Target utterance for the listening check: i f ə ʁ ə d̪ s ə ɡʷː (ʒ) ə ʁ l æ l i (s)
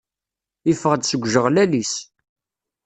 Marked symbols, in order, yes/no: yes, yes

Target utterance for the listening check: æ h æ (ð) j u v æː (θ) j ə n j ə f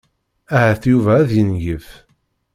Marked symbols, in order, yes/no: no, no

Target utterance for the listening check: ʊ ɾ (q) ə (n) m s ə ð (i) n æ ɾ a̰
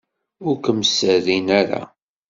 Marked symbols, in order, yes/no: no, no, yes

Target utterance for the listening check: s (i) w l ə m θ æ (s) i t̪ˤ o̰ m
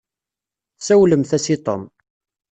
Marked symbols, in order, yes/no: no, yes

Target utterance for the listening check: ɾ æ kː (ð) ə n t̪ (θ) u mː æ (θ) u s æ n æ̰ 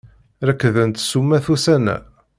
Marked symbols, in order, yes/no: yes, no, yes

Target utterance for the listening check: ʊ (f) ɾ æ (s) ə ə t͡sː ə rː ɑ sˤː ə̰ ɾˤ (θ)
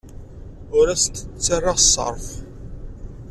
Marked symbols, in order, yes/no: no, yes, no

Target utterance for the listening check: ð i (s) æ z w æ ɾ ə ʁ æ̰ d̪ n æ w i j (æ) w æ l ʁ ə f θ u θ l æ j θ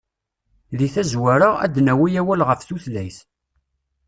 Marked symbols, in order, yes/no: no, yes

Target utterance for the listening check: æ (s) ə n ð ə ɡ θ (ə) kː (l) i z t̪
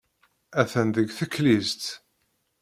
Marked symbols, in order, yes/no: no, yes, yes

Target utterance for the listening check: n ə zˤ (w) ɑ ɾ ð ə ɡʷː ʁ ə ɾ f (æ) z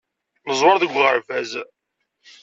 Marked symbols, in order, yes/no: yes, yes

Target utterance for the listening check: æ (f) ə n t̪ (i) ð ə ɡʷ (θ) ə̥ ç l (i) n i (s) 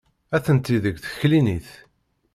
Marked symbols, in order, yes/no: no, yes, yes, yes, no

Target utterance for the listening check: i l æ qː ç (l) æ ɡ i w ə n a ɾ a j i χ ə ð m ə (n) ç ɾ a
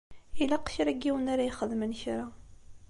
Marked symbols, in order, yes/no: no, yes

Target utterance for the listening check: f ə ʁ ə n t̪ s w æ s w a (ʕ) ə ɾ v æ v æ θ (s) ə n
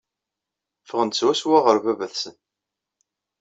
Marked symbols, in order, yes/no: no, yes

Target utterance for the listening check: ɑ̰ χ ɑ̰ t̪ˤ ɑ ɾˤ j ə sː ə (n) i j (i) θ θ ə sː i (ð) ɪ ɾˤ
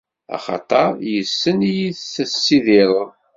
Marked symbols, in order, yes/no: yes, yes, yes

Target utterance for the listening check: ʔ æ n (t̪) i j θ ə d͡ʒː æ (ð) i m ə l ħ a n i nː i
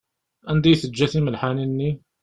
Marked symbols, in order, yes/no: no, no

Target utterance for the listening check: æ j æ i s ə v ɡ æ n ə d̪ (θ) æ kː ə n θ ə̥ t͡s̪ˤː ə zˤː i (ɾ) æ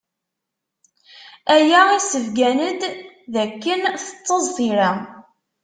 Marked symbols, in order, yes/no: no, yes

